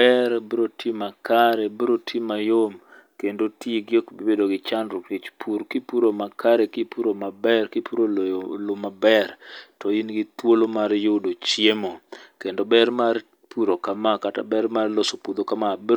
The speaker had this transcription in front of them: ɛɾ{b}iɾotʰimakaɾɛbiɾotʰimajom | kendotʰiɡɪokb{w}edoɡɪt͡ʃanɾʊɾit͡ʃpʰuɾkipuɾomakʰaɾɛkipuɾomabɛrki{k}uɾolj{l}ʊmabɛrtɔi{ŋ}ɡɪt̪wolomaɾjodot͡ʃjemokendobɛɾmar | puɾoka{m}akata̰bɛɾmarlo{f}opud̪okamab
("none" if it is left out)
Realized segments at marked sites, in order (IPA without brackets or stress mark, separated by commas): b, b, p, l, n, m, s